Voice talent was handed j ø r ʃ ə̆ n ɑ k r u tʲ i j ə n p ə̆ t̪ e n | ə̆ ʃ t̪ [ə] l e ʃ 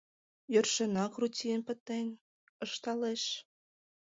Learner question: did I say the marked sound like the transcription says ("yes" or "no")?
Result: no